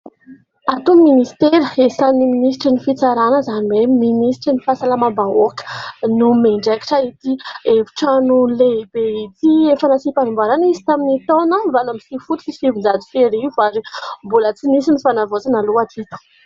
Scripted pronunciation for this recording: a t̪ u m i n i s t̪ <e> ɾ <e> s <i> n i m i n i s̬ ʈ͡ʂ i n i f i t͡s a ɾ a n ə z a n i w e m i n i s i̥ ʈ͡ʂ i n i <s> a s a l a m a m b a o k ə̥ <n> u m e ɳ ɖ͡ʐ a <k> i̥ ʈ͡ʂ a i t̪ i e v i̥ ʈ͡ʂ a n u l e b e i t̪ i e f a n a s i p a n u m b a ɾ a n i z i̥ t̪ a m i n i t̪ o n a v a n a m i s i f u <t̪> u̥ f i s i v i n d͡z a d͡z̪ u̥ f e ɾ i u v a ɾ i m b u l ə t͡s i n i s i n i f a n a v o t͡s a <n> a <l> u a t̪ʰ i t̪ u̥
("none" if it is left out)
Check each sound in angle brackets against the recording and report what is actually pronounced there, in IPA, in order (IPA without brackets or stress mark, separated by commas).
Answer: e, e, a, f, n, k, t̪, n, l